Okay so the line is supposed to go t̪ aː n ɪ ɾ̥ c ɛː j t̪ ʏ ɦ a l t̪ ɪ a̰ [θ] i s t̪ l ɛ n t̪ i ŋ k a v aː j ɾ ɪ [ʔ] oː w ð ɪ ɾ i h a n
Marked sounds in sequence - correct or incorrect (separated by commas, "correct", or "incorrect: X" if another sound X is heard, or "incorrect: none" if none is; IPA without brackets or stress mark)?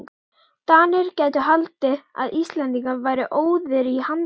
incorrect: ð, correct